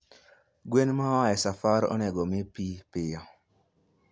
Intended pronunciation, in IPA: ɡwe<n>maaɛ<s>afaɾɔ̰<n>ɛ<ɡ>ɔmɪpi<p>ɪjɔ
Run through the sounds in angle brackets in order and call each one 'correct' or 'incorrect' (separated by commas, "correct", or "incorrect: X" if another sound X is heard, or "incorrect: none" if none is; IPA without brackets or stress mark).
correct, correct, correct, correct, correct